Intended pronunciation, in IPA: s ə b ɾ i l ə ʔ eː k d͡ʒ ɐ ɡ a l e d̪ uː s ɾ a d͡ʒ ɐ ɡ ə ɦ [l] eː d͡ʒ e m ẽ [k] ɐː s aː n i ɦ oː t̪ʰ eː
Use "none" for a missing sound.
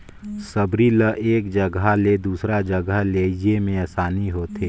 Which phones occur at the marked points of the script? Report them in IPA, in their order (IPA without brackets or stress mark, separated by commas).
l, none